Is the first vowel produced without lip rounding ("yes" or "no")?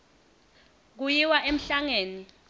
no